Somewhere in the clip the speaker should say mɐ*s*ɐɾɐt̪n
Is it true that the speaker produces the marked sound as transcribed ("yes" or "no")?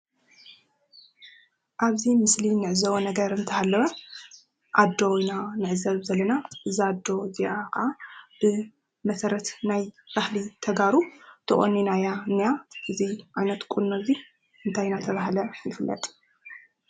yes